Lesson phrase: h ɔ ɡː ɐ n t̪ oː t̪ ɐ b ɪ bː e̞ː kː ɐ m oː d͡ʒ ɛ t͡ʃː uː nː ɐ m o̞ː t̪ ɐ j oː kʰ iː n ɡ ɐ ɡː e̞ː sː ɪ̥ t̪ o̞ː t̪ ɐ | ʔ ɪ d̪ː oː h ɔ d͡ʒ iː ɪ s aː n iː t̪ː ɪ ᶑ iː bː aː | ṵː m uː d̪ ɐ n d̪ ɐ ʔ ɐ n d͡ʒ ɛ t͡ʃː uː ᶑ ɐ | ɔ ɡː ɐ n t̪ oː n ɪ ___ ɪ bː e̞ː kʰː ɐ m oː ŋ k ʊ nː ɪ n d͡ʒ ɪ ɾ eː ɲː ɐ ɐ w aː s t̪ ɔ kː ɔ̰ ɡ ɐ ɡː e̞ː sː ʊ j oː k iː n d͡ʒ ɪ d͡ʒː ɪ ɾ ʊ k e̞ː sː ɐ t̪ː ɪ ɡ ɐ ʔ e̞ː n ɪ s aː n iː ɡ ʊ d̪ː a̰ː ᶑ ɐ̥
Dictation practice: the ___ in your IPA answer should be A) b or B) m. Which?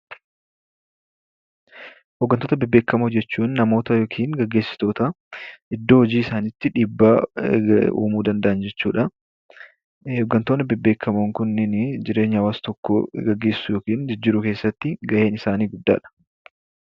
A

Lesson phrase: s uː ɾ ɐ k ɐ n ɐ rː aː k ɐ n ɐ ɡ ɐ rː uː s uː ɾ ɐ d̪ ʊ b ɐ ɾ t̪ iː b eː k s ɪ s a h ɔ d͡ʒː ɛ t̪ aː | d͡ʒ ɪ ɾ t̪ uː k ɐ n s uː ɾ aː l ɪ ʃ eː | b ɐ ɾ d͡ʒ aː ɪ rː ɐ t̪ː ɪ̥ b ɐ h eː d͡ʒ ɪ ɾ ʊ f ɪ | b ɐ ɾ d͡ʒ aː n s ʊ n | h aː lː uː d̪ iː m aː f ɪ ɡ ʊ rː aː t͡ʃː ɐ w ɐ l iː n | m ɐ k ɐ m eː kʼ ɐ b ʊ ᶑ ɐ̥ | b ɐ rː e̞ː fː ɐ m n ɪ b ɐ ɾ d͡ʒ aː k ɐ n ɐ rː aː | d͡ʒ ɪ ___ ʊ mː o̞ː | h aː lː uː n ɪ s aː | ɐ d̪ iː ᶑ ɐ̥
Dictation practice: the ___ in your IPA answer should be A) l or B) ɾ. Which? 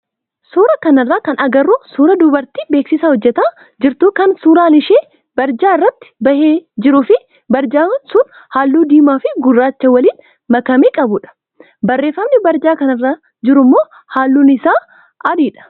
B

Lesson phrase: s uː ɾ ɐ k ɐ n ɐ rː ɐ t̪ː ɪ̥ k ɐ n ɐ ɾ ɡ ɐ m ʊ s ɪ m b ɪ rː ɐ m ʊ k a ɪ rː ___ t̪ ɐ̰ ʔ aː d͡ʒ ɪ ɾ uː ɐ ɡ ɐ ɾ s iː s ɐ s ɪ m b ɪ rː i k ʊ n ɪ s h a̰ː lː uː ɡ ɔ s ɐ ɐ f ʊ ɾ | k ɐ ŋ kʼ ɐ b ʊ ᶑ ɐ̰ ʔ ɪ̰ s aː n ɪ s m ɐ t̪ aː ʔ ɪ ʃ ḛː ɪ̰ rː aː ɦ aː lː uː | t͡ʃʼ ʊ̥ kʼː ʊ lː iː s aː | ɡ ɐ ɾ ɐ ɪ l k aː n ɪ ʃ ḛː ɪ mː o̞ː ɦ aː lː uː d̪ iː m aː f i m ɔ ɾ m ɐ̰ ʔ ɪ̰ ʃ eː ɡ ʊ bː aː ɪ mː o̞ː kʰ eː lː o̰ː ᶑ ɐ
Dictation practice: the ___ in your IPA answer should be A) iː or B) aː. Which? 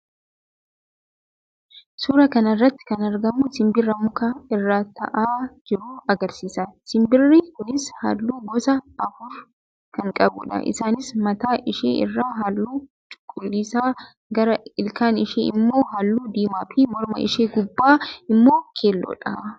B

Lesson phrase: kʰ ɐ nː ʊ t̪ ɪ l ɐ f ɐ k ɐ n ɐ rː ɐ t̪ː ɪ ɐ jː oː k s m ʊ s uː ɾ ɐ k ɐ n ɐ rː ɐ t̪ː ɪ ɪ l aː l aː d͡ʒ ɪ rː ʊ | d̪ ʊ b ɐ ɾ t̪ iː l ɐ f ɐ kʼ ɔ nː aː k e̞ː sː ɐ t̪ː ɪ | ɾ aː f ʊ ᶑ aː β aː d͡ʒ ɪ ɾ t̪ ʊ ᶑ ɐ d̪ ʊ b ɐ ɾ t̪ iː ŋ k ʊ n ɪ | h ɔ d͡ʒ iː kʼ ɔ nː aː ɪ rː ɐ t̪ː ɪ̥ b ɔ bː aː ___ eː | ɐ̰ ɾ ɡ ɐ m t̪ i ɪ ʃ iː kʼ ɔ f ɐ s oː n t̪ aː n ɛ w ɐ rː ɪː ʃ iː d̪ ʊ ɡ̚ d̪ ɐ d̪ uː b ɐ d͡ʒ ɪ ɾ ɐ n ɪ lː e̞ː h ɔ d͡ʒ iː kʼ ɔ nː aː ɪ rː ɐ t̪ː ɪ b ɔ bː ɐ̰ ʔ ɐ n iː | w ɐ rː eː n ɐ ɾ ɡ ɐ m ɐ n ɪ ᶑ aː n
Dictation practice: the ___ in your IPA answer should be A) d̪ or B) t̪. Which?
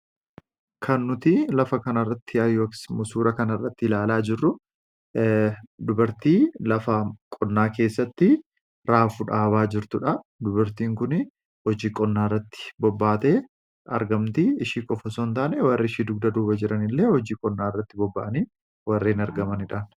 B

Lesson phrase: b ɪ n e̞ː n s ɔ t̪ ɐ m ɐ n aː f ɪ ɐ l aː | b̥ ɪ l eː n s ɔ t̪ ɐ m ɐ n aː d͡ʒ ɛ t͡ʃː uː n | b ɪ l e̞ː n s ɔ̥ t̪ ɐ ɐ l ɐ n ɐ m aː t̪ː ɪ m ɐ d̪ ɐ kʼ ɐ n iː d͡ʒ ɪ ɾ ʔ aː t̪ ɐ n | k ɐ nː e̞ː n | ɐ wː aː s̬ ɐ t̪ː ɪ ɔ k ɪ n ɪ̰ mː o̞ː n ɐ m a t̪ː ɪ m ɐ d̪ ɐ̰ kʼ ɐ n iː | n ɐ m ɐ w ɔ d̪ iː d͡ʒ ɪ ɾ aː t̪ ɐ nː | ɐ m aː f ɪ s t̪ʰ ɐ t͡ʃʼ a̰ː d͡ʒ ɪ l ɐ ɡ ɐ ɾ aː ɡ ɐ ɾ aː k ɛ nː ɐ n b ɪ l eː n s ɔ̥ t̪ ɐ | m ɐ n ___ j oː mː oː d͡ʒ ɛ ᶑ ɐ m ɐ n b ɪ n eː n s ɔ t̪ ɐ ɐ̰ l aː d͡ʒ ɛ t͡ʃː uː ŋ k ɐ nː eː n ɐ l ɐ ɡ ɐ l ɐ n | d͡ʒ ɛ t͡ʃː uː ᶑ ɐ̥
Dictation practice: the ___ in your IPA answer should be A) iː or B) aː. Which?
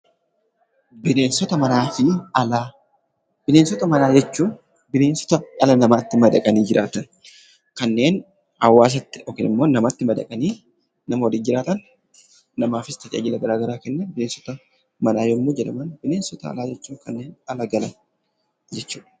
B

